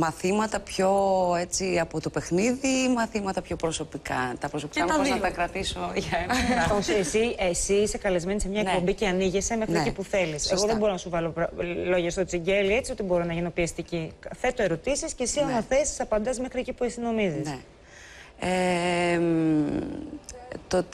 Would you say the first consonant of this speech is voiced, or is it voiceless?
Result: voiced